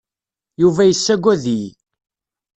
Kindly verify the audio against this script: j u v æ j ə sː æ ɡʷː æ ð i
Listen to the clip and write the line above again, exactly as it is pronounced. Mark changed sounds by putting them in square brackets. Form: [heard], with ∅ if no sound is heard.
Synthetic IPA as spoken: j u v æ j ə sː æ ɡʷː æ ð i